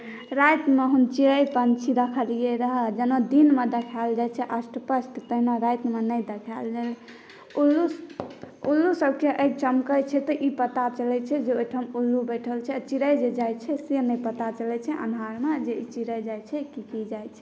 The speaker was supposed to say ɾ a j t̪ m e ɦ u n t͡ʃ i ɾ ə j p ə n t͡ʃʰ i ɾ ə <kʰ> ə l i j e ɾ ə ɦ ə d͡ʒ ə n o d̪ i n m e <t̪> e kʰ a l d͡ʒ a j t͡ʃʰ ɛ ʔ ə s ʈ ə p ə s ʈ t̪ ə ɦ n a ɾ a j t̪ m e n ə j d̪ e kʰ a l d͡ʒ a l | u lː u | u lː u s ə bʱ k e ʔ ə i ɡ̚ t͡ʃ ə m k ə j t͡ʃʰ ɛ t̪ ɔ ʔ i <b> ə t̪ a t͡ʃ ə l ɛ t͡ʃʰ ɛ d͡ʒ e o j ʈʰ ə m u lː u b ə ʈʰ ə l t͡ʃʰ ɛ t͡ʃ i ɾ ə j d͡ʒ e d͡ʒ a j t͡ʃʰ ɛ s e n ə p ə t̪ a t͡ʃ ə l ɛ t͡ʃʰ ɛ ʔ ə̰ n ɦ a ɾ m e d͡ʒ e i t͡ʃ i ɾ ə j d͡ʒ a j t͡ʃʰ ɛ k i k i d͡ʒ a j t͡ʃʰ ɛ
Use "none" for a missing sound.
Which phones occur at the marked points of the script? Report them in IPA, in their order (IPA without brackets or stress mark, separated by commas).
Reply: kʰ, d̪, p